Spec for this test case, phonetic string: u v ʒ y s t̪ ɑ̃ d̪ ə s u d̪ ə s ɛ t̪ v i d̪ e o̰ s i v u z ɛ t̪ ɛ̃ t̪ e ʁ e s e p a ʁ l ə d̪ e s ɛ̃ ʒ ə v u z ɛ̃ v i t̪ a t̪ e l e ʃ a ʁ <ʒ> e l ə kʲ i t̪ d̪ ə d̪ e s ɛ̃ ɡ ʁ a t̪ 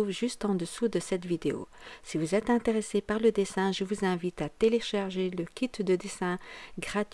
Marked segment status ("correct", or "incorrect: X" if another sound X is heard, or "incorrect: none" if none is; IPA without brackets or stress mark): correct